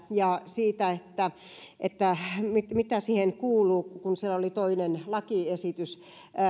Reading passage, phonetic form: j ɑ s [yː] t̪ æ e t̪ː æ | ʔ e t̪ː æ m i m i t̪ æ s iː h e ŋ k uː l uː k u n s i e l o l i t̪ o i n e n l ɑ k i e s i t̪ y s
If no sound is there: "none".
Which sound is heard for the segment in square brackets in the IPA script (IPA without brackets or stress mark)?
iː